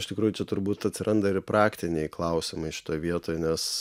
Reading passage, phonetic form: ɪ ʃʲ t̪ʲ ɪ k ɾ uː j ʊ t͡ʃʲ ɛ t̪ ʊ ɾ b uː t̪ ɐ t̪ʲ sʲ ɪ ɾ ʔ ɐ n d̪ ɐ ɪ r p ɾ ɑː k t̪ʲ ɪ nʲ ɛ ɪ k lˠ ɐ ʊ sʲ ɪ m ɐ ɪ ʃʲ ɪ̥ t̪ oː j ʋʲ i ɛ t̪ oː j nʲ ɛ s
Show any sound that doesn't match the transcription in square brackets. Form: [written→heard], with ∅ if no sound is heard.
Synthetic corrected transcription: ɪ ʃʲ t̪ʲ ɪ k ɾ uː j ʊ t͡ʃʲ ɛ t̪ ʊ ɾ b uː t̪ ɐ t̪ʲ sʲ ɪ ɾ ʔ ɐ n d̪ ɐ ɪ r p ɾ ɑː k t̪ʲ ɪ nʲ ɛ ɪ k lˠ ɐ ʊ sʲ ɪ m ɐ ɪ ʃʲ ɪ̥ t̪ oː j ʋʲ i ɛ t̪ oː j nʲ ɛ s